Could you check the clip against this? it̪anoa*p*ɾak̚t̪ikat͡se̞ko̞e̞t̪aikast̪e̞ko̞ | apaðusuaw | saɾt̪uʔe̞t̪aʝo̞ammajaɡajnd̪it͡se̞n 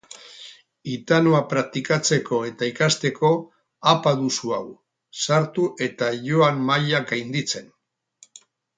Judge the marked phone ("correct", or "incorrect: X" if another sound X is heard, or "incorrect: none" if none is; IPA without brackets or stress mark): correct